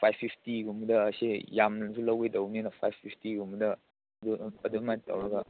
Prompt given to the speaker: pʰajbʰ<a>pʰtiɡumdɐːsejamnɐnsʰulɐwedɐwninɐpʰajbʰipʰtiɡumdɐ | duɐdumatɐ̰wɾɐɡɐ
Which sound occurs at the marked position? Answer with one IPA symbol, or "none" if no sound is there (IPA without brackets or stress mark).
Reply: i